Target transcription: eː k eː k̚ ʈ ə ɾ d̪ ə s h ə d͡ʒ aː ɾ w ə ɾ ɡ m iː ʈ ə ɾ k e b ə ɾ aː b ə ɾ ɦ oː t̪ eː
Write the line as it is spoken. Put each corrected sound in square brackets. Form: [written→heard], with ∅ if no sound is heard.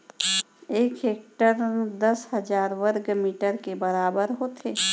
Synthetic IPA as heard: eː k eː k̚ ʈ ə ɾ d̪ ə s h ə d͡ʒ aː ɾ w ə ɾ ɡ m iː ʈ ə ɾ k e b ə ɾ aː b ə ɾ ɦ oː t̪ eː

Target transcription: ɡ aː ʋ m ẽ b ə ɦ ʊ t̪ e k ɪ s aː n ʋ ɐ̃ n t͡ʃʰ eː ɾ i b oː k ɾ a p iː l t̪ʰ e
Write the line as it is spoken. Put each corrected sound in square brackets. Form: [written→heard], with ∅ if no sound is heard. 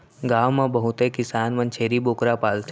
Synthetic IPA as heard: ɡ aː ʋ m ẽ b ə ɦ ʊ t̪ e k ɪ s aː n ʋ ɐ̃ n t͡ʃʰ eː ɾ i b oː k ɾ a p [iː→aː] l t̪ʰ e

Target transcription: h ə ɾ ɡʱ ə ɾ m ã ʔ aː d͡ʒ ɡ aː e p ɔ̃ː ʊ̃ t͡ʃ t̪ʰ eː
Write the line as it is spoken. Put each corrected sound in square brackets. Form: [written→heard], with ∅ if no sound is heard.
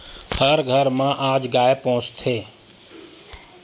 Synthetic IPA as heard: h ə ɾ ɡʱ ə ɾ m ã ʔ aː d͡ʒ ɡ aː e p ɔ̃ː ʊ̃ t͡ʃ t̪ʰ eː

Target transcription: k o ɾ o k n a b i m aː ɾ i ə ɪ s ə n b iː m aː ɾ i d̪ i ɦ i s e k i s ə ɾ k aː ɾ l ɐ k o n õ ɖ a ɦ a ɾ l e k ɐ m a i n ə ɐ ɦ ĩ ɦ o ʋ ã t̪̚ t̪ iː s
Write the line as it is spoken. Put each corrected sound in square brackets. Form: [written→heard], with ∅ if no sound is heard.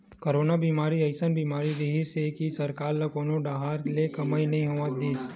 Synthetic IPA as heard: k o ɾ o [k→∅] n a b i m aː ɾ i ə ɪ s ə n b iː m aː ɾ i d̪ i ɦ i s e k i s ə ɾ k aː ɾ l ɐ k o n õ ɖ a ɦ a ɾ l e k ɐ m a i n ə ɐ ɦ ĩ ɦ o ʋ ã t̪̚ [t̪→d̪] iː s

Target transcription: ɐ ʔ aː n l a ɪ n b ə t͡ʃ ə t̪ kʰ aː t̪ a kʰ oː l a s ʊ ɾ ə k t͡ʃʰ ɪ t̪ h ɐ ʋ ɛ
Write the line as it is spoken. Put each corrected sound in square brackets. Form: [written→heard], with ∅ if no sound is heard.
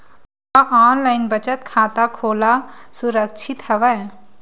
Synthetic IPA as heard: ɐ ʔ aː n l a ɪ n b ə t͡ʃ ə t̪ kʰ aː t̪ a kʰ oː l a s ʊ ɾ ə k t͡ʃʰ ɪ t̪ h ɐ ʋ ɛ

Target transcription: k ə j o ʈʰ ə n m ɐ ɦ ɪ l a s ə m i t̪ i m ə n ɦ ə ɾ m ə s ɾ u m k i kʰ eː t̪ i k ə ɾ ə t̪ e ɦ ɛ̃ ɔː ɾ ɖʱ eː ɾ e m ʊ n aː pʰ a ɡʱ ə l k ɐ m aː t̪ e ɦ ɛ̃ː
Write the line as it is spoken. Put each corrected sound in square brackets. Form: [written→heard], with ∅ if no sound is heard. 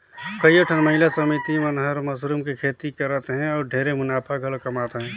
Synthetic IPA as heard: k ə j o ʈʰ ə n m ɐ ɦ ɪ l a s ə m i t̪ i m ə n ɦ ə ɾ m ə s ɾ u m k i kʰ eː t̪ i k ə ɾ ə t̪ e ɦ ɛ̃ ɔː ɾ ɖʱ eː ɾ e m ʊ n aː pʰ a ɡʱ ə l k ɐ m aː t̪ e ɦ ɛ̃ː

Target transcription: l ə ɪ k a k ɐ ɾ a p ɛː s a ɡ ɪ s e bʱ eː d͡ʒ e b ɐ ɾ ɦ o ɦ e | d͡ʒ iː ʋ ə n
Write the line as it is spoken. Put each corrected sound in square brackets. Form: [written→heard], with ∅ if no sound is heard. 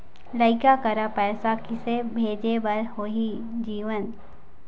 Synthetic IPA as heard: l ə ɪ k a k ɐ ɾ a p ɛː s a [ɡ→k] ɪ s e bʱ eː d͡ʒ e b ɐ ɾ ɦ o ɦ [e→i] | d͡ʒ iː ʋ ə n

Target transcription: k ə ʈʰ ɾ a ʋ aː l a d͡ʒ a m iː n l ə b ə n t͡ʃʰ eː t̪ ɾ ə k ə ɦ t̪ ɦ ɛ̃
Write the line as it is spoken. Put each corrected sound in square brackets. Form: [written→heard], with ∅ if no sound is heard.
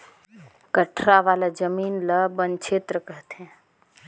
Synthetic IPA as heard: k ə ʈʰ ɾ a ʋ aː l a d͡ʒ [a→ə] m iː n l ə b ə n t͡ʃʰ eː t̪ ɾ ə k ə ɦ t̪ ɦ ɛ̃

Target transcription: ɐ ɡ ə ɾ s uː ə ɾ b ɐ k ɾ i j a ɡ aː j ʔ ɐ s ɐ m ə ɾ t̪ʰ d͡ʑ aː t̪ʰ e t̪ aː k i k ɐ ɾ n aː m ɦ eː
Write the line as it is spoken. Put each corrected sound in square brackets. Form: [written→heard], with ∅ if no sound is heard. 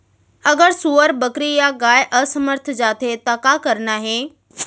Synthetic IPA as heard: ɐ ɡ ə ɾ s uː ə ɾ b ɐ k ɾ i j a ɡ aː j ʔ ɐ s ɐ m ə ɾ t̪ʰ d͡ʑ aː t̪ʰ e t̪ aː k [i→a] k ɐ ɾ n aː [m→∅] ɦ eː

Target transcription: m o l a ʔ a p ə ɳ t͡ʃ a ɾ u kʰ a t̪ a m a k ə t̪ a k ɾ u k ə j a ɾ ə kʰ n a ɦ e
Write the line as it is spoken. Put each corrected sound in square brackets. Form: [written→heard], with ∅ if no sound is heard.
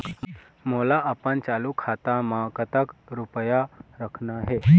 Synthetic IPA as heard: m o l a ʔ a p ə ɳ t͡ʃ a [ɾ→l] u kʰ a t̪ a m a k ə t̪ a k ɾ u [k→p] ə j a ɾ ə kʰ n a ɦ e

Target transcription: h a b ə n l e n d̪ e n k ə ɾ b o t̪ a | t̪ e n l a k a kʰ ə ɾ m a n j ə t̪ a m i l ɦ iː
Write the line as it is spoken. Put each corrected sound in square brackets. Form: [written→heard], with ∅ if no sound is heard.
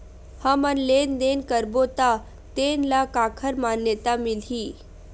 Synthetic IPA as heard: h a [b→m] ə n l e n d̪ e n k ə ɾ b o t̪ a | t̪ e n l a k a kʰ ə ɾ m a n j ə t̪ a m i l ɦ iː

